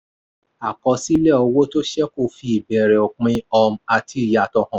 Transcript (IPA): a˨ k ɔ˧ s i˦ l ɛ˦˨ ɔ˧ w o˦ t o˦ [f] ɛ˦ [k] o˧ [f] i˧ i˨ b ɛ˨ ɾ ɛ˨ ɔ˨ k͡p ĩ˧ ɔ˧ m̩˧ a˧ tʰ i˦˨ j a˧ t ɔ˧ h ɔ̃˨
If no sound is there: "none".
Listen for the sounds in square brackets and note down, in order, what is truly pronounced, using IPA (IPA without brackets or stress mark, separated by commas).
ʃ, k, f